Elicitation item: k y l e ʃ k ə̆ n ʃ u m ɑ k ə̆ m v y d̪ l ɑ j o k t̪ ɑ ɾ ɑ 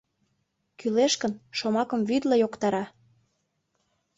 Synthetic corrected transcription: k y l e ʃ k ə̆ n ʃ o m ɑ k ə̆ m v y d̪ l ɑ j o k t̪ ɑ ɾ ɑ